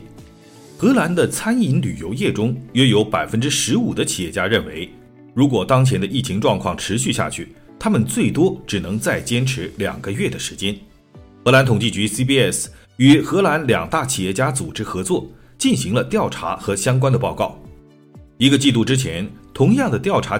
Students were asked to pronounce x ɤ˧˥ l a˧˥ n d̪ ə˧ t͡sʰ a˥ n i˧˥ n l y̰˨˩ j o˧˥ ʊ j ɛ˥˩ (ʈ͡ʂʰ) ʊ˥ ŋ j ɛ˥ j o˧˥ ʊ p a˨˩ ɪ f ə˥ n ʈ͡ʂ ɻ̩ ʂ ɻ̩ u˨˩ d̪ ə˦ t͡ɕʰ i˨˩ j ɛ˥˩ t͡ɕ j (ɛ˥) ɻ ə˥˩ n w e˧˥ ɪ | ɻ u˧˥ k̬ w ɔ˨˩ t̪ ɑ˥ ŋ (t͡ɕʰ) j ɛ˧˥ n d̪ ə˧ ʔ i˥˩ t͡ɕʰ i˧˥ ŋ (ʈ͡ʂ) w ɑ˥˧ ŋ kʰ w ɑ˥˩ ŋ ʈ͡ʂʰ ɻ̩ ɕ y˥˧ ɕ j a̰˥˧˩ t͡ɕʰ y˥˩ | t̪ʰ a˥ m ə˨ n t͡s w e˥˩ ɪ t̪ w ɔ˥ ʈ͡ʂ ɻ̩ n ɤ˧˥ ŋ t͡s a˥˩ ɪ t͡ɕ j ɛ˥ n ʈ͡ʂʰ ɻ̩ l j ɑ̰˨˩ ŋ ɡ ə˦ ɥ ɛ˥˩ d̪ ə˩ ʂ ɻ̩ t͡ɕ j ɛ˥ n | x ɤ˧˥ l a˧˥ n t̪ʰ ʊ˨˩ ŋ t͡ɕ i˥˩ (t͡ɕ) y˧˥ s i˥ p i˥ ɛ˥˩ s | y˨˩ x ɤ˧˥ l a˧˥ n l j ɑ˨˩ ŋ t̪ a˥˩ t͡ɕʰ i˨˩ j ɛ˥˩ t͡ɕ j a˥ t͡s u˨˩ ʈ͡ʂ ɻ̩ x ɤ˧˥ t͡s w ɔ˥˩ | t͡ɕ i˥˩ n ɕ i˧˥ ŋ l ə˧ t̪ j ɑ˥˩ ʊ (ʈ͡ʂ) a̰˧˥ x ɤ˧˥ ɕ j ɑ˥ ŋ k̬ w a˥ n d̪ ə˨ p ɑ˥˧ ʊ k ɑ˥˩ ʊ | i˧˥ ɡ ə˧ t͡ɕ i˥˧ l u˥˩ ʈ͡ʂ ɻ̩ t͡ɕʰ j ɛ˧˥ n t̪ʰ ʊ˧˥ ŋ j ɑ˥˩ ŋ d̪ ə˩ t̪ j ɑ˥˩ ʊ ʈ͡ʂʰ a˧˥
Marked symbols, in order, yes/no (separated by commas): no, no, yes, yes, yes, no